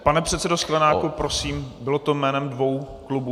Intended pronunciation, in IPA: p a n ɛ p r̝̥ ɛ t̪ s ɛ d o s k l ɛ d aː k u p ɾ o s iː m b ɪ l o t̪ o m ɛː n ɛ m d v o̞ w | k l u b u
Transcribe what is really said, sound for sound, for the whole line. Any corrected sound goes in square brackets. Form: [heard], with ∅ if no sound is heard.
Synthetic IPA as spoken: p a n ɛ p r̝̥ ɛ t̪ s ɛ d o s k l ɛ [n] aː k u p ɾ o s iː m b ɪ l o t̪ o m ɛː n ɛ m d v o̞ w | k l u b u